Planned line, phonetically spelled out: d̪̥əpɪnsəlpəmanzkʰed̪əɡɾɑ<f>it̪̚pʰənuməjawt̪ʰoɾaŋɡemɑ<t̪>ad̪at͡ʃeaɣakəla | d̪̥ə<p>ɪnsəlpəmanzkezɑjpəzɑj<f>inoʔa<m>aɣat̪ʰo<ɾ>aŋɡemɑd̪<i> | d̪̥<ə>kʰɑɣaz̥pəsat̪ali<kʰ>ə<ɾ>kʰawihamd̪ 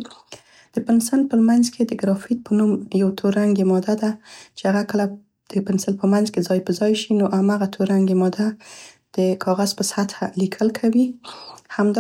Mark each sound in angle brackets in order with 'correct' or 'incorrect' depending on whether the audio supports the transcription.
correct, incorrect: d̪, correct, incorrect: ʃ, correct, correct, incorrect: a, correct, correct, incorrect: l

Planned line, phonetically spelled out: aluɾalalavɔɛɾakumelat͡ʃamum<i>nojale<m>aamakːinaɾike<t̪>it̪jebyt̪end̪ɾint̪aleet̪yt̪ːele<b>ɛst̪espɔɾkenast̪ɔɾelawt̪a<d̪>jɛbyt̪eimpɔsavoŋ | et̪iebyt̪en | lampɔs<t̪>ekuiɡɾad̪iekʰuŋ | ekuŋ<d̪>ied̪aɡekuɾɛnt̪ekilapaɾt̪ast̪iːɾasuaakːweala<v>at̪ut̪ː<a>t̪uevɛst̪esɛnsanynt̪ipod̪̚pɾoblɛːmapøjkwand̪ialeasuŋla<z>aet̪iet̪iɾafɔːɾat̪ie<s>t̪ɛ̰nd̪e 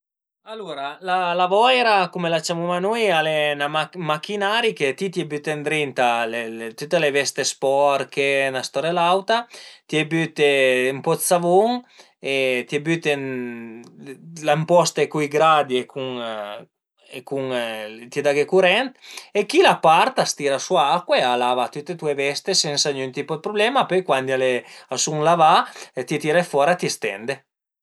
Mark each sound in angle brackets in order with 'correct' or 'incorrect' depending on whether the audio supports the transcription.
incorrect: a, incorrect: n, correct, incorrect: v, incorrect: t̪, correct, incorrect: t̪, correct, incorrect: e, incorrect: v, correct

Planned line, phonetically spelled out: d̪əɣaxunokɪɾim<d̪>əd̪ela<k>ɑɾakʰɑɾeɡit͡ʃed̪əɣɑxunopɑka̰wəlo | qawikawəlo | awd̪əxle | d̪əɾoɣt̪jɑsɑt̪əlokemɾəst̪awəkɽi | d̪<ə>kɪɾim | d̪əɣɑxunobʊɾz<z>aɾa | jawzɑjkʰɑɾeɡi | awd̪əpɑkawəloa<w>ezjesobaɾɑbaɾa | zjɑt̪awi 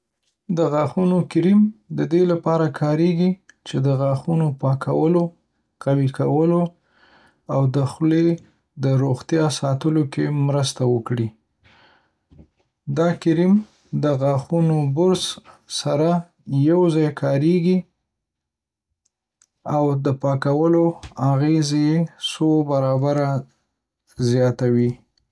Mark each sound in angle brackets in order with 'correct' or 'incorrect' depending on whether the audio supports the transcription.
correct, incorrect: p, incorrect: ɑ, incorrect: s, incorrect: ɣ

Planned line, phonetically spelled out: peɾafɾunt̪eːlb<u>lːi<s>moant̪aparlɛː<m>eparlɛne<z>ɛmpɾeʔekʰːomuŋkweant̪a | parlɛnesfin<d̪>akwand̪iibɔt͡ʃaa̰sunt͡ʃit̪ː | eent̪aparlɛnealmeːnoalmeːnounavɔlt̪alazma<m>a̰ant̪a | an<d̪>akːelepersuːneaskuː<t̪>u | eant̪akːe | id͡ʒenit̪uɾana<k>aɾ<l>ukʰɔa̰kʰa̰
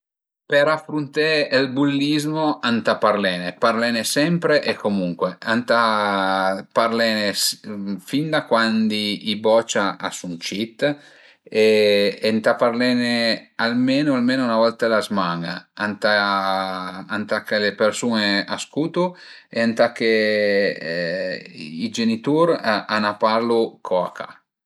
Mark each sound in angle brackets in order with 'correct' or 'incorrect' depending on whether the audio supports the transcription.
correct, incorrect: z, incorrect: n, incorrect: s, correct, incorrect: ŋ, incorrect: t̪, correct, incorrect: p, correct

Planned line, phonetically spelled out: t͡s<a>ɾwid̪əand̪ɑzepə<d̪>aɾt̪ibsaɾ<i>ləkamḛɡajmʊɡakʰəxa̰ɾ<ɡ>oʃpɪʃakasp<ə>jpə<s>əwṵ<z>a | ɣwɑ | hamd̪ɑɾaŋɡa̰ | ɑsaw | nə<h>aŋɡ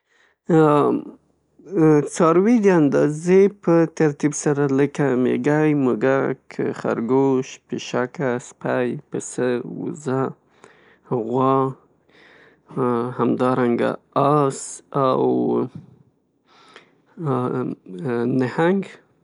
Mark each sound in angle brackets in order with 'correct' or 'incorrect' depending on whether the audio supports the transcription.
incorrect: ɑ, incorrect: t̪, incorrect: a, correct, incorrect: a, correct, correct, correct

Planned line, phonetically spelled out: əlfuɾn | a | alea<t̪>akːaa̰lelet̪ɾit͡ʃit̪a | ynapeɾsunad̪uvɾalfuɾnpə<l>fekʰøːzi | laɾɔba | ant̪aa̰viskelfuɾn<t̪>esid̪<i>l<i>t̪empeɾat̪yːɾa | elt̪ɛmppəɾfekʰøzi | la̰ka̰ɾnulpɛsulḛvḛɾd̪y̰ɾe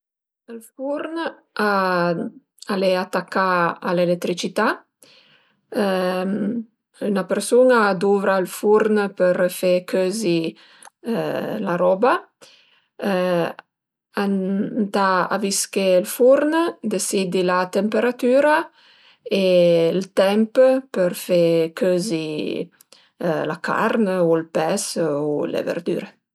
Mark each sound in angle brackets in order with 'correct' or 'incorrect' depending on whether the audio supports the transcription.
correct, incorrect: ɾ, incorrect: d̪, correct, incorrect: a

